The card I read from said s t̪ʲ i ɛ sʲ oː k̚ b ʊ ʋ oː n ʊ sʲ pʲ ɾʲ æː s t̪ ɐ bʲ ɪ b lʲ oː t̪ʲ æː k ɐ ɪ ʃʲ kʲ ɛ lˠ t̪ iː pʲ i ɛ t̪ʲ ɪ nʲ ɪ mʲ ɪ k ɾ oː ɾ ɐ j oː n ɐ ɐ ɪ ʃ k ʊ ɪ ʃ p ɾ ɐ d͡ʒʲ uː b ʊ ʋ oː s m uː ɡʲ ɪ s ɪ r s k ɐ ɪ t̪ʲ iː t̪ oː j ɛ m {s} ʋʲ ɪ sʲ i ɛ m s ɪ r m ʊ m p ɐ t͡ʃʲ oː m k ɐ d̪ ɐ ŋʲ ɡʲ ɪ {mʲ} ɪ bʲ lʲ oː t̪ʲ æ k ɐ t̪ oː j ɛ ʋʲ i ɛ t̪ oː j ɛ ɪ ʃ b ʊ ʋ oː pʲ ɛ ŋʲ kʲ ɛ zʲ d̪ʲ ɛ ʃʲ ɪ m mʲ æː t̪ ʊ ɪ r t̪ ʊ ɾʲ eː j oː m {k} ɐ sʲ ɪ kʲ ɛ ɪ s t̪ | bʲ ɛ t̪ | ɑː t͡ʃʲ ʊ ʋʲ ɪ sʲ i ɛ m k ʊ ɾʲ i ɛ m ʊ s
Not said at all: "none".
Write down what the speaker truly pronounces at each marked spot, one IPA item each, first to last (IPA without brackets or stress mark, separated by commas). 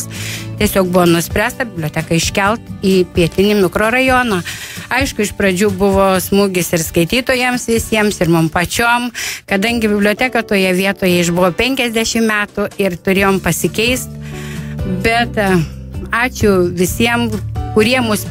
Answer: s, bʲ, p